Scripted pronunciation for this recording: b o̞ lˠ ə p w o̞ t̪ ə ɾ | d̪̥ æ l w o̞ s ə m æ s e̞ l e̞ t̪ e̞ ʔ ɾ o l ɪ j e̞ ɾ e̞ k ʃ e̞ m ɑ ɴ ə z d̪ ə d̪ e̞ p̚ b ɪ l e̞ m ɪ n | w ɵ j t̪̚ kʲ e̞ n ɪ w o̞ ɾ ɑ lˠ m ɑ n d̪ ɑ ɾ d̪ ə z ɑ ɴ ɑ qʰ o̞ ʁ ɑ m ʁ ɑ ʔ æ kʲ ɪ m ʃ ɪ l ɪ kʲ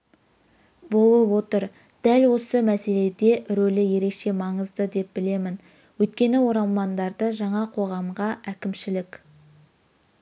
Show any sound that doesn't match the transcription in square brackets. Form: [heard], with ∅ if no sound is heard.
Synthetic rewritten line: b o̞ lˠ ə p w o̞ t̪ ə ɾ | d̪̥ æ l w o̞ s ə m æ s e̞ l e̞ [d̪] e̞ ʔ ɾ o l ɪ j e̞ ɾ e̞ k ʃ e̞ m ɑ ɴ ə z d̪ ə d̪ e̞ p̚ b ɪ l e̞ m ɪ n | w ɵ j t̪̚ kʲ e̞ n ɪ w o̞ ɾ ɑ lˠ m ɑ n d̪ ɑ ɾ d̪ ə [ʒ] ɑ ɴ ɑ qʰ o̞ ʁ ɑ m ʁ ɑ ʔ æ kʲ ɪ m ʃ ɪ l ɪ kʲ